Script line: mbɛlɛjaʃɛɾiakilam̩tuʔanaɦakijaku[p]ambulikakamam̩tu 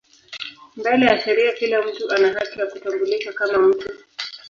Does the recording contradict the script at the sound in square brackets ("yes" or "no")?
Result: yes